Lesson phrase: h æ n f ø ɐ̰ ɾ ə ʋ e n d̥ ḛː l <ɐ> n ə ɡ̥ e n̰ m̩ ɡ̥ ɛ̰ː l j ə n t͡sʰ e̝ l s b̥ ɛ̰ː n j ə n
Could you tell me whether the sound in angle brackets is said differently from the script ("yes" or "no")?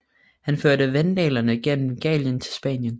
no